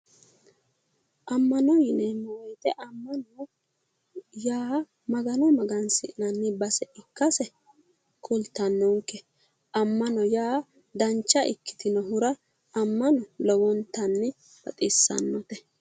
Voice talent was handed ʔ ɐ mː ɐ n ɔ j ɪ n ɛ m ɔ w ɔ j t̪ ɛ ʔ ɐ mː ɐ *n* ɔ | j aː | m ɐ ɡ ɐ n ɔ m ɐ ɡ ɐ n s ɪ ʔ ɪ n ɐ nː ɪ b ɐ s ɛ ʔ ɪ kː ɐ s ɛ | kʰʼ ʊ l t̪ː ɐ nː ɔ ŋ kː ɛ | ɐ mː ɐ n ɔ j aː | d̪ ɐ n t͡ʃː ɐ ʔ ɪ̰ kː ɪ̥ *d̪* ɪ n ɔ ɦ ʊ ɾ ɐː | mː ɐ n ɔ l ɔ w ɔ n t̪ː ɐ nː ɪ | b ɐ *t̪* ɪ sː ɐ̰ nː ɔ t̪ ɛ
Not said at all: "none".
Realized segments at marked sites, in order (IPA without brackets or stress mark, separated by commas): n, t̪, t̪ʼ